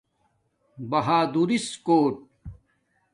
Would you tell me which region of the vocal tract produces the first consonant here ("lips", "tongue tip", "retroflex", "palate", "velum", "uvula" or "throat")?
lips